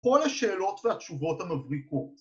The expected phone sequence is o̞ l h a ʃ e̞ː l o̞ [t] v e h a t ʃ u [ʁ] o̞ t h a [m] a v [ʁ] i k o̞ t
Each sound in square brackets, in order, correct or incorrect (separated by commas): correct, incorrect, correct, correct